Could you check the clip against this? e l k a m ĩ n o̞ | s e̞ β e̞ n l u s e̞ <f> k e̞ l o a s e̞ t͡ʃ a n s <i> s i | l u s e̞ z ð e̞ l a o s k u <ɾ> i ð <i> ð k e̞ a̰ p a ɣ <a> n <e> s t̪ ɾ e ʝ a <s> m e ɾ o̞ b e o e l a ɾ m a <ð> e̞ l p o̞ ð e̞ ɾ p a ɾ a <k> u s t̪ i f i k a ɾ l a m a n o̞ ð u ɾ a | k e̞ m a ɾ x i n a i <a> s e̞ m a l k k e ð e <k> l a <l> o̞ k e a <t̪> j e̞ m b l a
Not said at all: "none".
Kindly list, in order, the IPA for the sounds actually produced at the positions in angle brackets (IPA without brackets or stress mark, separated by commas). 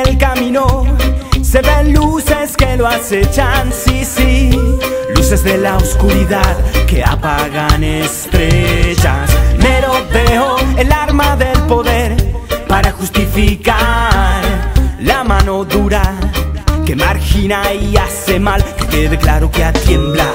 s, i, ɾ, a, a, e, s, ð, x, a, k, ɾ, t̪